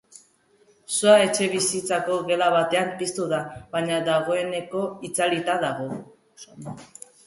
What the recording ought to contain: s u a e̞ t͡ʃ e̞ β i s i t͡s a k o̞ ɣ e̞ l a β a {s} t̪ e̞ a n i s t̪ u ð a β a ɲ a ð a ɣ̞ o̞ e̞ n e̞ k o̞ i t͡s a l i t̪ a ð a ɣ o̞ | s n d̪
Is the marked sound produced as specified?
no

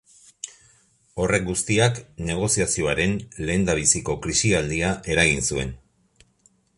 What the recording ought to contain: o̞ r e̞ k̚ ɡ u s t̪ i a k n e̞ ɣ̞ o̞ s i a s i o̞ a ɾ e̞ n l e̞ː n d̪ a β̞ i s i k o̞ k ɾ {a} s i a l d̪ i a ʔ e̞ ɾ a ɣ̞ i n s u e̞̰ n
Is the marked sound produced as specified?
no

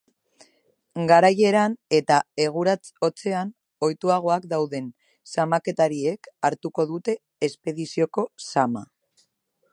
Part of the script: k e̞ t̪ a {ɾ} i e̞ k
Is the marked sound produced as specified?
yes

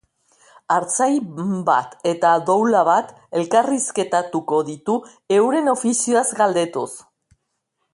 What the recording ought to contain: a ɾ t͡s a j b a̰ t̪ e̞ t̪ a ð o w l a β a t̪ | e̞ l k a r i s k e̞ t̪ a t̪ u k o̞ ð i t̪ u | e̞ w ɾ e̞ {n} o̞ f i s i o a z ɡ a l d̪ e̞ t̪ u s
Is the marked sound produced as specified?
yes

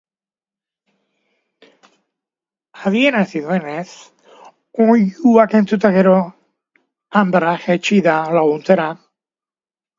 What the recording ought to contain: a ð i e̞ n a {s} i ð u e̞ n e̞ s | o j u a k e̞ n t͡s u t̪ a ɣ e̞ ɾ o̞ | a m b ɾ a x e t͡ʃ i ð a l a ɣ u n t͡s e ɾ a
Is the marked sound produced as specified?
yes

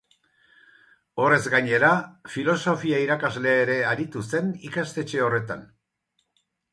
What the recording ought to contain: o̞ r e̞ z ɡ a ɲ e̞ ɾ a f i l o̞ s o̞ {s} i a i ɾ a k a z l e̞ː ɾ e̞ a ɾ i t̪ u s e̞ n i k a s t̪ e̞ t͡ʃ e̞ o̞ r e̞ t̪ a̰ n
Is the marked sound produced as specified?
no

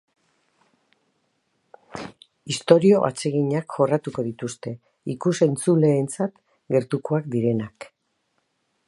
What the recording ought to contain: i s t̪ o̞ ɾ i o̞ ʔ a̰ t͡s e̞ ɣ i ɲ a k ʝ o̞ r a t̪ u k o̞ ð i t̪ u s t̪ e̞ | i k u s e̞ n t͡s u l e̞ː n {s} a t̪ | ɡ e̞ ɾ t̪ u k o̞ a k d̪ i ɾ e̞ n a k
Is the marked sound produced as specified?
no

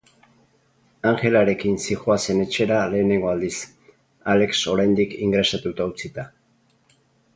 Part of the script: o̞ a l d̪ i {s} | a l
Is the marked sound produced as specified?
yes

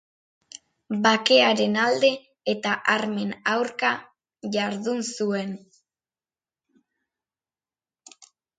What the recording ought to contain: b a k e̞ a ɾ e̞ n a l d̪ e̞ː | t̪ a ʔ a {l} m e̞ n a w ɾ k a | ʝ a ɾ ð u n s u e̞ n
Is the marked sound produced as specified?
no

